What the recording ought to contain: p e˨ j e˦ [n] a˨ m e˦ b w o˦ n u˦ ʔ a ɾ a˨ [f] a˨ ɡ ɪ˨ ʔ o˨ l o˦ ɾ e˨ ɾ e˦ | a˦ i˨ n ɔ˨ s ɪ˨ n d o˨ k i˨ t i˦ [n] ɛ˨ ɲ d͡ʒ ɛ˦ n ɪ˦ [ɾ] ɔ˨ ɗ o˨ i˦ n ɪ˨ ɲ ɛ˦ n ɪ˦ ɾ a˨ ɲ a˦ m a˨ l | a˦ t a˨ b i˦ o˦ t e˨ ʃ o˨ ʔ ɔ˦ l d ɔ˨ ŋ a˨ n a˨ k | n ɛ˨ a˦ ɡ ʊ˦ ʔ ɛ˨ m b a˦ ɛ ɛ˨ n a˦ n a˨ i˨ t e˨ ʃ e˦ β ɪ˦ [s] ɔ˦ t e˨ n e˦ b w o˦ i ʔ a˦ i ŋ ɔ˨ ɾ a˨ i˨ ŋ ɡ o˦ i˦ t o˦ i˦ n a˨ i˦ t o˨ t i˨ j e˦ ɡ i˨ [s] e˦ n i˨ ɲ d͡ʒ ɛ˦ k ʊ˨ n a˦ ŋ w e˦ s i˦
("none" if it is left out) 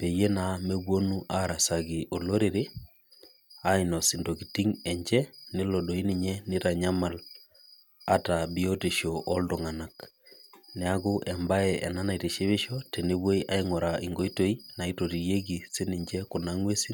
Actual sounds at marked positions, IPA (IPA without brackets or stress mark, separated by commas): n, s, ŋ, l, ʃ, s